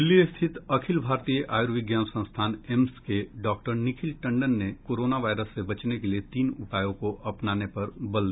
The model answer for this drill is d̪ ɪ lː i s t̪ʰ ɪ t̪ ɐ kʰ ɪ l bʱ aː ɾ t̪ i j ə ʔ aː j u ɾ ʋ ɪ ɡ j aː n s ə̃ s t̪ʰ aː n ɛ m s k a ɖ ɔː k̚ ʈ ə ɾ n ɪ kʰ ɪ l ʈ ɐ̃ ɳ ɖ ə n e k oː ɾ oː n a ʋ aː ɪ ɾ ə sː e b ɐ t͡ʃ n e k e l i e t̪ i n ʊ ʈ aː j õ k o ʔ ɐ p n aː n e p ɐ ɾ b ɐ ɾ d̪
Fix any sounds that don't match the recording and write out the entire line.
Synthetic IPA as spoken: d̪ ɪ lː i s t̪ʰ ɪ t̪ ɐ kʰ ɪ l bʱ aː ɾ t̪ i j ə ʔ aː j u ɾ ʋ ɪ ɡ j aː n s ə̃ s t̪ʰ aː n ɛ m s k e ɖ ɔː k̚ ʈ ə ɾ n ɪ kʰ ɪ l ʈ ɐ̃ ɳ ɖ ə nː e k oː ɾ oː n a ʋ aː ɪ ɾ ə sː e b ɐ t͡ʃ n e k e l i e t̪ iː n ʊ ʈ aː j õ k o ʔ ɐ p n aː n e p ɐ ɾ b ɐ l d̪